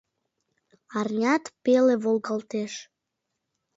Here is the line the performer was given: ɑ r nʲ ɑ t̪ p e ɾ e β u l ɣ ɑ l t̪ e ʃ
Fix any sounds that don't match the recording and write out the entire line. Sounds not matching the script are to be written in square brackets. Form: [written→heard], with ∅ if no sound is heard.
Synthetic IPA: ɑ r nʲ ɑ t̪ p e [ɾ→l] e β [u→o] l ɣ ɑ l t̪ e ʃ